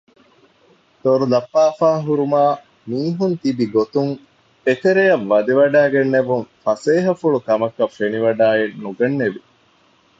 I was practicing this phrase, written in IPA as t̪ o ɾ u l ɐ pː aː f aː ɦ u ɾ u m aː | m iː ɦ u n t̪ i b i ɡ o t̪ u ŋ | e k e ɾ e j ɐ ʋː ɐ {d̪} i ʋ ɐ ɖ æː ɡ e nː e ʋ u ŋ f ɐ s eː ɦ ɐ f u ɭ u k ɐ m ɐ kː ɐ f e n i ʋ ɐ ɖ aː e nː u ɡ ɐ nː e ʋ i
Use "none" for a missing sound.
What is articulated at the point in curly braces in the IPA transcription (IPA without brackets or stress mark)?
d̪